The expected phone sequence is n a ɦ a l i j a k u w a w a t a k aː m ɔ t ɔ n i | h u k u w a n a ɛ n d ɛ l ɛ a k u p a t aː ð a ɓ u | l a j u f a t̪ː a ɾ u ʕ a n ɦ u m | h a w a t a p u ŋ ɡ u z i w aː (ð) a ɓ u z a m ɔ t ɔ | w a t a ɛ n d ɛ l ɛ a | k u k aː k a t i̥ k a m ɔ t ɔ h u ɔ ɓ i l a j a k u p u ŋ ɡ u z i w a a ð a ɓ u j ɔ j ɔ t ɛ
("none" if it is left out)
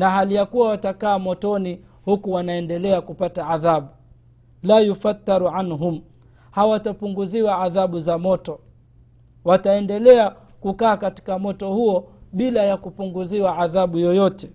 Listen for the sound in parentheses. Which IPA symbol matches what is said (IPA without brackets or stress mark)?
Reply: ð